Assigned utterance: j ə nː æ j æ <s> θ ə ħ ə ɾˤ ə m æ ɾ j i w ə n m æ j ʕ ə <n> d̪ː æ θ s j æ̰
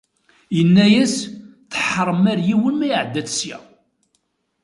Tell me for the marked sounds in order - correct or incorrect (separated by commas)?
correct, incorrect